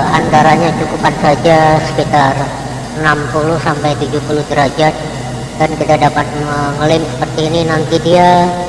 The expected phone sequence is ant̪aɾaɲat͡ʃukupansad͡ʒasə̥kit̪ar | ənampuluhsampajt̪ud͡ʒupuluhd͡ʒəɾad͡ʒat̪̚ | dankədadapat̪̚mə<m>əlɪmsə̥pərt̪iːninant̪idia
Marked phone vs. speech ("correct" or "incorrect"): incorrect